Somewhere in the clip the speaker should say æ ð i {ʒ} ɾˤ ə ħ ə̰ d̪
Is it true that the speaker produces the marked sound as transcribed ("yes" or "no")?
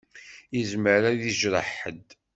yes